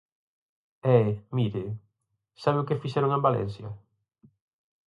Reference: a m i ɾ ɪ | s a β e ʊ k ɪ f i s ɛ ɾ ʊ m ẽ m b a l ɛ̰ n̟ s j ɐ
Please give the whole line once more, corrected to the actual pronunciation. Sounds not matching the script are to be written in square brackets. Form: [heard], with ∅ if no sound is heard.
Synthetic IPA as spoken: [ɛ] m i ɾ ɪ | s a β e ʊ k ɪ f i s ɛ ɾ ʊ [ŋ] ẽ m b a l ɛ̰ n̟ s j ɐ